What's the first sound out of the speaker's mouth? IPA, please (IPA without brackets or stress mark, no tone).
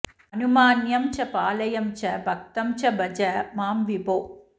ɐ